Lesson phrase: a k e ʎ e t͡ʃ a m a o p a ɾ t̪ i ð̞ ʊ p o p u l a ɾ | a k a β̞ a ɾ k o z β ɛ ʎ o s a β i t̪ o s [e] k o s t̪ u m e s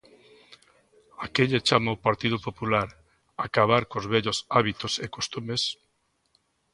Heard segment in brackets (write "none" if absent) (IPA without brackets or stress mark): e